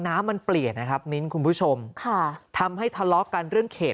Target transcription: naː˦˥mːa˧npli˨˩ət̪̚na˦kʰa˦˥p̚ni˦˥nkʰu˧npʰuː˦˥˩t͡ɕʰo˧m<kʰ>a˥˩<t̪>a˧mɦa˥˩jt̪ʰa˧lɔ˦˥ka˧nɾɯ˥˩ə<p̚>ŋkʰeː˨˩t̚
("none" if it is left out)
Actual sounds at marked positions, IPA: kʰ, t̪ʰ, none

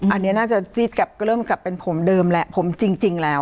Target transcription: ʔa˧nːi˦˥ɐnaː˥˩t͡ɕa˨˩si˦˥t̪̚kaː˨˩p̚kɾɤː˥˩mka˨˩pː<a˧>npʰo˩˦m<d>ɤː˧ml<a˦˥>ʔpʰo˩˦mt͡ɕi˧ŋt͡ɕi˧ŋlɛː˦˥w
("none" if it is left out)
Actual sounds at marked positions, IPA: e˧, d, ɛ˦˥

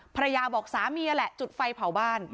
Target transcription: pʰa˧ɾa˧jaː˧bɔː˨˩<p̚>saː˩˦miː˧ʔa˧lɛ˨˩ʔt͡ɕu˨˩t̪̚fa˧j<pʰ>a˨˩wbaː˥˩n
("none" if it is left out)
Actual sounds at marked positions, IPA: k̚, pʰ

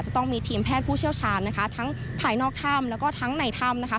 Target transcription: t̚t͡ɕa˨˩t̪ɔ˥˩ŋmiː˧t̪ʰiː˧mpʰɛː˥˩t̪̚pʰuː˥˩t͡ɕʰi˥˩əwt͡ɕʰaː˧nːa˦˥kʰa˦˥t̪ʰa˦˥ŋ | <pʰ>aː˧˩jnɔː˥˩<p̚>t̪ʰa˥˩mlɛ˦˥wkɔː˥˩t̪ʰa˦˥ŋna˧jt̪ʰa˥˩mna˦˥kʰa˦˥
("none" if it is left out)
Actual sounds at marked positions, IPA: pʰ, k̚

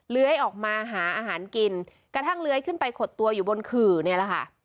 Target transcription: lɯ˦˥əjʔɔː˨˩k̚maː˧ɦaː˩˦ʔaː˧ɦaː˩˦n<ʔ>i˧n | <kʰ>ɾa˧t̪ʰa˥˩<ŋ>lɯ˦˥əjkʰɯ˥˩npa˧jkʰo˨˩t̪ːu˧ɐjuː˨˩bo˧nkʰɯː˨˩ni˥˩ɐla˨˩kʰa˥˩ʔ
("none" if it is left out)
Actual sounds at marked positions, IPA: k, k, ŋ

